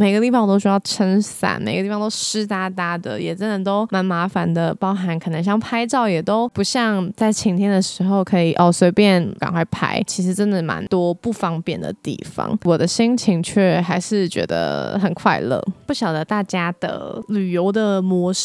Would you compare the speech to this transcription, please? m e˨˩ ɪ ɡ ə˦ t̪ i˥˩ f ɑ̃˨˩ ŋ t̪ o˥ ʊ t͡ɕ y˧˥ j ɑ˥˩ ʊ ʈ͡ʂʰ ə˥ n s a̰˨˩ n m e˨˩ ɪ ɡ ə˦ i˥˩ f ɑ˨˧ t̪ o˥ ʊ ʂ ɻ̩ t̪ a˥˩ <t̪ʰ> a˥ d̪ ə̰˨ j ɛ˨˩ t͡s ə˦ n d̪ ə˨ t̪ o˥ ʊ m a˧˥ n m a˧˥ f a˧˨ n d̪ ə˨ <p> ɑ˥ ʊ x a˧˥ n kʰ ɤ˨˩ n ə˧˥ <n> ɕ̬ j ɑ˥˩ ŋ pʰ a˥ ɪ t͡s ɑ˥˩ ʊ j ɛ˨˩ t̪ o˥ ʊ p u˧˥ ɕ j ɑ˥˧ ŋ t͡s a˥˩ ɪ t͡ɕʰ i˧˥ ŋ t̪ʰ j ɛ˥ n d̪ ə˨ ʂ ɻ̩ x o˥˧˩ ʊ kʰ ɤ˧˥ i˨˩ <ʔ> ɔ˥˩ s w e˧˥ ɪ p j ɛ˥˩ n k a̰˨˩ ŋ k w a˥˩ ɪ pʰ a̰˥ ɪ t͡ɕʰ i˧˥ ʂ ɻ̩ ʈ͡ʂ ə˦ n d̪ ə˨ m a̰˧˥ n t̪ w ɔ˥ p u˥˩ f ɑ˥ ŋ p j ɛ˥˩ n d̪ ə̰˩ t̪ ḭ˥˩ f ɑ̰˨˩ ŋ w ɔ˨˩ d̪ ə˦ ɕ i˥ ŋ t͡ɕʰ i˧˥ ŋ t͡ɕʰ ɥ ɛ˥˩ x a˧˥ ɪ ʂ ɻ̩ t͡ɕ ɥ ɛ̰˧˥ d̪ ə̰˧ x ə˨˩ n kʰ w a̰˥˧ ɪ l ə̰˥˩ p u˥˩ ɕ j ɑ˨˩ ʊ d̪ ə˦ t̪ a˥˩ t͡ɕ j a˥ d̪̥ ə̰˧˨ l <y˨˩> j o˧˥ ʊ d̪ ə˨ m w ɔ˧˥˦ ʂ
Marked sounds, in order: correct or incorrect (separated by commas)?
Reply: incorrect, correct, incorrect, correct, correct